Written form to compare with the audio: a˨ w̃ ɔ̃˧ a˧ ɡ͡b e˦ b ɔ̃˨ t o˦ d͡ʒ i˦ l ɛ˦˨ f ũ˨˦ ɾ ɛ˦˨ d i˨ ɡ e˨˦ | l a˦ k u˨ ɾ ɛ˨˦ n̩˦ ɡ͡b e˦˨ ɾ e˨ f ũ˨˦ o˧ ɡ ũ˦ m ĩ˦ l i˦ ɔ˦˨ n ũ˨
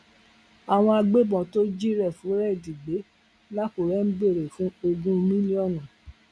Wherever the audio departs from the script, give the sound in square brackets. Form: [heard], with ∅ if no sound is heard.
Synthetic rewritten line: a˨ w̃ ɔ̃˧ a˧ ɡ͡b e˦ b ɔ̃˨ t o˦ d͡ʒ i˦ [ɾ] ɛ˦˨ f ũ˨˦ ɾ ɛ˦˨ d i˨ [ɡ͡b] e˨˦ | l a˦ k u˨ ɾ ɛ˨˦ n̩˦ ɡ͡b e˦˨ ɾ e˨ f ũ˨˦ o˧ ɡ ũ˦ m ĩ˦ l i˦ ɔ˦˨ n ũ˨